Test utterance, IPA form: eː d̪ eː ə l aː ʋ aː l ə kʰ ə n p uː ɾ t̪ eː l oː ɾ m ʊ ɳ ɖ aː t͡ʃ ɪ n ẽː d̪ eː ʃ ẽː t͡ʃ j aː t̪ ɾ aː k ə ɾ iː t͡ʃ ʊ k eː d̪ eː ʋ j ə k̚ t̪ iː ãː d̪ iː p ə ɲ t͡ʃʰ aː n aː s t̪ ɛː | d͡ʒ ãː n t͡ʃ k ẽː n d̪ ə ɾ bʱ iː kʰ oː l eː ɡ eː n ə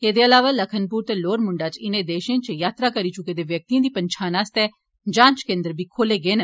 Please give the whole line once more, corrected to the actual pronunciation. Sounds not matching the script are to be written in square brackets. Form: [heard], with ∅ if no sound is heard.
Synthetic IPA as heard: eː d̪ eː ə l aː ʋ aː l ə kʰ ə n p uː ɾ t̪ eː l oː ɾ m ʊ ɳ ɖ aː t͡ʃ ɪ n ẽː d̪ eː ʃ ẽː t͡ʃ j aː t̪ ɾ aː k ə ɾ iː t͡ʃ ʊ k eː d̪ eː ʋ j ə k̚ t̪ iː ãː d̪ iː p ə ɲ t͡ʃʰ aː n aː s t̪ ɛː | d͡ʒ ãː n t͡ʃ k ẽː n d̪ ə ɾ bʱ iː kʰ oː l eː ɡ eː n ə